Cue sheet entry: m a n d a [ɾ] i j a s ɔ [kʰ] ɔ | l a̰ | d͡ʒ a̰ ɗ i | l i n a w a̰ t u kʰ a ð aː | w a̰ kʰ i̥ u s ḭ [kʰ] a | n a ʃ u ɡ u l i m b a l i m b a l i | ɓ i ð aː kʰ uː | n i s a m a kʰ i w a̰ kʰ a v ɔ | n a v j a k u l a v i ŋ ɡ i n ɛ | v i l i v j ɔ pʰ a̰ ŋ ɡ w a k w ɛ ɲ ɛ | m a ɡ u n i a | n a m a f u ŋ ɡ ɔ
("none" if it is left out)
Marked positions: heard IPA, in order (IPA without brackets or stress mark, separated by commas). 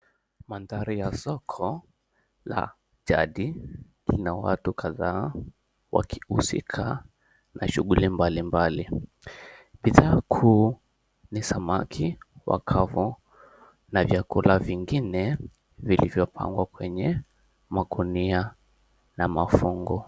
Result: ɾ, kʰ, kʰ